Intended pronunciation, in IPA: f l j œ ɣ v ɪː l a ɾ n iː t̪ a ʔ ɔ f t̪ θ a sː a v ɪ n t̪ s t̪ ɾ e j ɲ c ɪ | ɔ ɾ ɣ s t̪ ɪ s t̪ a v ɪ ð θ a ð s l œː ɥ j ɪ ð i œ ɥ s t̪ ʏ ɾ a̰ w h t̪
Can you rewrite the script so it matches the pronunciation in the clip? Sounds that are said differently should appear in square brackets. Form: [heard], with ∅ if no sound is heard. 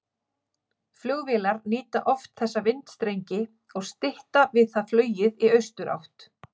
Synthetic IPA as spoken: f l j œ ɣ v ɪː l a ɾ n iː t̪ a ʔ ɔ f t̪ θ [ɛ] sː a v ɪ n t̪ s t̪ ɾ e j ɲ c ɪ | ɔ [∅] ɣ s t̪ ɪ [h] t̪ a v ɪ ð θ a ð [f] l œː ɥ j ɪ ð i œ ɥ s t̪ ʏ ɾ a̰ w h t̪